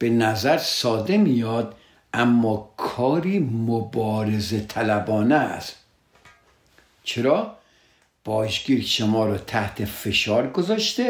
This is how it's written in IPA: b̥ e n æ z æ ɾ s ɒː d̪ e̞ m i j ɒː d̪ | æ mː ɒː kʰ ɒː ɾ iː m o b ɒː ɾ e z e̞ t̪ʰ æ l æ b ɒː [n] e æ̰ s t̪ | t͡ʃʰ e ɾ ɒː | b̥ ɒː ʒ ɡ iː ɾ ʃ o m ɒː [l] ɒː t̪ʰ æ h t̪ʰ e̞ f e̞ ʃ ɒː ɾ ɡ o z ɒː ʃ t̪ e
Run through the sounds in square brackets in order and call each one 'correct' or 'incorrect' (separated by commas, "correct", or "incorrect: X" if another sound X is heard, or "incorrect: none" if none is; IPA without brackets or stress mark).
correct, incorrect: ɾ